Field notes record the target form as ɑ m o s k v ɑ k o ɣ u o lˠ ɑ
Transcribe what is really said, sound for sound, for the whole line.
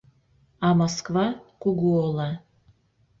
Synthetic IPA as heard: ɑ m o s k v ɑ k u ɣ u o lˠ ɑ